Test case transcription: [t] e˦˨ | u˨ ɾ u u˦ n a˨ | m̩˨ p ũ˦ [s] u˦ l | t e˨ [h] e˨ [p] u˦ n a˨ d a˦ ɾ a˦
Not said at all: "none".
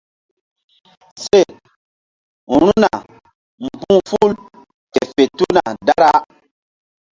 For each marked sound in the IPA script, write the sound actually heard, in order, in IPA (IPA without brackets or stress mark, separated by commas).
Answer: s, f, f, t